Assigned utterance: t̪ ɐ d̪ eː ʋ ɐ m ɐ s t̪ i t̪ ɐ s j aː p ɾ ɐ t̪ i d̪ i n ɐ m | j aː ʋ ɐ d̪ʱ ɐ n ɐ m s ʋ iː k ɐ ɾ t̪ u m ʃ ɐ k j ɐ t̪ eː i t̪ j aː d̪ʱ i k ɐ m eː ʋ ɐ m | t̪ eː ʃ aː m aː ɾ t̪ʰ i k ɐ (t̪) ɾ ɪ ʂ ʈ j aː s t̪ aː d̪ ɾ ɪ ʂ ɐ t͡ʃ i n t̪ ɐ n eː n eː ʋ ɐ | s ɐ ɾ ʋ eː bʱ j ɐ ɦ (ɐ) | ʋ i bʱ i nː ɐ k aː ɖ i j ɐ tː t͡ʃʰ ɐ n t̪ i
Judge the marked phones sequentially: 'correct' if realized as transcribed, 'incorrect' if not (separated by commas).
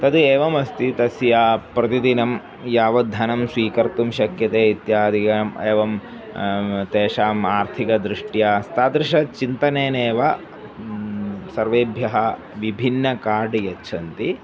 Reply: incorrect, correct